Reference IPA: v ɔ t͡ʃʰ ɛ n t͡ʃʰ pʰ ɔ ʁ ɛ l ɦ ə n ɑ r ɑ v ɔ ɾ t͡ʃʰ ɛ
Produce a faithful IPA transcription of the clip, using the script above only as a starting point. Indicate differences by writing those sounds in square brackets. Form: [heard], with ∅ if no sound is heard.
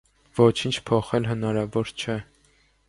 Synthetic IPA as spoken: v ɔ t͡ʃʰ [i] n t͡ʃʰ pʰ ɔ [χ] ɛ l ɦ ə n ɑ [ɾ] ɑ v ɔ ɾ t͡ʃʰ ɛ